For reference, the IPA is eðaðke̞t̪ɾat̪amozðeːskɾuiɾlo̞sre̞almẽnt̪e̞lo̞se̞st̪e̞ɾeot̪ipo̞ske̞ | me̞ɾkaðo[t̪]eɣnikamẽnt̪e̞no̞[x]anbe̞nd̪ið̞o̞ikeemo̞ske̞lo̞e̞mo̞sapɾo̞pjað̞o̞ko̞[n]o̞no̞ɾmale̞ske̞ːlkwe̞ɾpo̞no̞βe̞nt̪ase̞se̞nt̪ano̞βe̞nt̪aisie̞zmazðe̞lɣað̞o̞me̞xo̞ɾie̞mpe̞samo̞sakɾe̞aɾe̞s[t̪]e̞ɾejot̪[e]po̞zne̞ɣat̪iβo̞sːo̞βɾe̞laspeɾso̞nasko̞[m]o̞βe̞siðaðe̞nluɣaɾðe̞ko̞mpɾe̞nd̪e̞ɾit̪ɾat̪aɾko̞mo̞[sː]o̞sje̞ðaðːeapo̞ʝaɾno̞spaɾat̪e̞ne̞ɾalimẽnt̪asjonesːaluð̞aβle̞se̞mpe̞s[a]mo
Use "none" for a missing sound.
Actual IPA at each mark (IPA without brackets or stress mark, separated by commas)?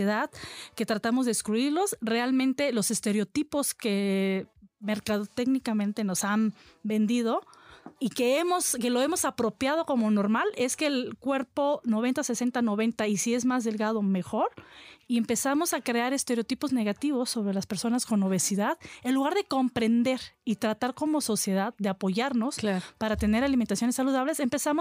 t̪, s, m, t̪, i, n, s, a